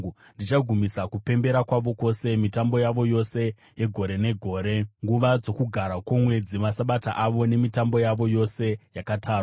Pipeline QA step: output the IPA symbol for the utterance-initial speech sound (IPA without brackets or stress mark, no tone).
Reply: n